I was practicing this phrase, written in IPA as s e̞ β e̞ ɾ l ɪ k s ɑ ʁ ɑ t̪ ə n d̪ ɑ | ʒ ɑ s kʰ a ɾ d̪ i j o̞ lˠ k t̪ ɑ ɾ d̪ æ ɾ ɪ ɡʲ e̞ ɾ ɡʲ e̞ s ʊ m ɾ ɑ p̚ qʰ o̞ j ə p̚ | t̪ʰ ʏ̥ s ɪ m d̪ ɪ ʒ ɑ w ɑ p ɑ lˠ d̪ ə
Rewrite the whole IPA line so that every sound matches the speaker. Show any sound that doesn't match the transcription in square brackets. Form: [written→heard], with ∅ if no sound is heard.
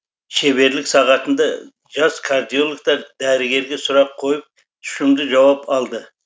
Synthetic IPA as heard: [s→ʃ] e̞ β e̞ ɾ l ɪ k s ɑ ʁ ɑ t̪ ə n d̪ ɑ | ʒ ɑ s kʰ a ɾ d̪ i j o̞ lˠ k t̪ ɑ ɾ d̪ æ ɾ ɪ ɡʲ e̞ ɾ ɡʲ e̞ s ʊ [m→∅] ɾ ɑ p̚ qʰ o̞ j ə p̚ | t̪ʰ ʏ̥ [s→ʃ] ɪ m d̪ ɪ ʒ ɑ w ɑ p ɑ lˠ d̪ ə